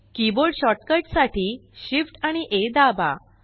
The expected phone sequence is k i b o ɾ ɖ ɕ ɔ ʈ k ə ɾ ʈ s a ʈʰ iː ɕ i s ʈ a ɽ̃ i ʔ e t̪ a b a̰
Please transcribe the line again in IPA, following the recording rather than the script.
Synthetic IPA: k i b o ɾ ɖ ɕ ɔ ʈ k ə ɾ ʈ s a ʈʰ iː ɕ i f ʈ a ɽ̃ i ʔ e d̪ a b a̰